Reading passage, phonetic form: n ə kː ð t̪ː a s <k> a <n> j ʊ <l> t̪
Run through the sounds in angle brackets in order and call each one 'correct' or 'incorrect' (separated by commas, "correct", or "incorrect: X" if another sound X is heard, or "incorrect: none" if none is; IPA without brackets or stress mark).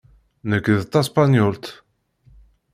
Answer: incorrect: p, correct, correct